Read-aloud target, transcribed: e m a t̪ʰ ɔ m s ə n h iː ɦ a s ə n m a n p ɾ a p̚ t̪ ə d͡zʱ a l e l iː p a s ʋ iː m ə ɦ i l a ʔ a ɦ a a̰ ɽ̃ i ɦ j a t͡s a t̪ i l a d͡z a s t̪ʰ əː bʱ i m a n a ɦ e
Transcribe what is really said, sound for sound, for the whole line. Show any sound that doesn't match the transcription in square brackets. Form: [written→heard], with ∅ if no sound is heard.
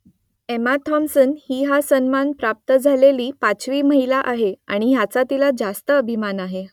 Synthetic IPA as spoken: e m a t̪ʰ ɔ m s ə n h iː ɦ a s ə n m a n p ɾ a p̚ t̪ ə d͡zʱ a l e l iː p a [s→t͡s] ʋ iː m ə ɦ i l a ʔ a ɦ [a→e] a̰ ɽ̃ i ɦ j a t͡s a t̪ i l a d͡z a s [t̪ʰ→t̪] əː bʱ i m a n a ɦ e